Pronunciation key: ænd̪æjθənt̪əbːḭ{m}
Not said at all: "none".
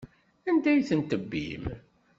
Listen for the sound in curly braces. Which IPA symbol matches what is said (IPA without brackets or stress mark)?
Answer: m